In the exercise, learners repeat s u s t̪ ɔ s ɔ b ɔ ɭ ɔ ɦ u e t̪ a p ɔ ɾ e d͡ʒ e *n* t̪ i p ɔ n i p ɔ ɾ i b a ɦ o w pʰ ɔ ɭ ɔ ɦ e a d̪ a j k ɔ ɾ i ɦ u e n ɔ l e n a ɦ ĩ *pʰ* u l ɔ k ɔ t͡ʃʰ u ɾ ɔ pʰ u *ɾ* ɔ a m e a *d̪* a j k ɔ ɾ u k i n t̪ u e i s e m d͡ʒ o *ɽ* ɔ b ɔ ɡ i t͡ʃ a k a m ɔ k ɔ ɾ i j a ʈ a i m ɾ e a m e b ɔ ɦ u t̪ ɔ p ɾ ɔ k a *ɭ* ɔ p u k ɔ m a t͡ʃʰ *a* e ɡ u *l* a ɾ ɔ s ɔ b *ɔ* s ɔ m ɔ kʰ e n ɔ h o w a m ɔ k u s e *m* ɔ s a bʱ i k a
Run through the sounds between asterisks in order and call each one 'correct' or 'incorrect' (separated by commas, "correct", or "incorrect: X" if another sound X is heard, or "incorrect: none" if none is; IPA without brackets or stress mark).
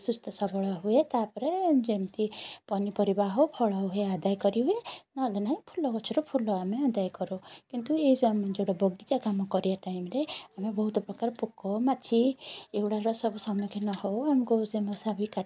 incorrect: m, correct, incorrect: l, correct, correct, incorrect: ɾ, incorrect: i, incorrect: ɽ, incorrect: u, correct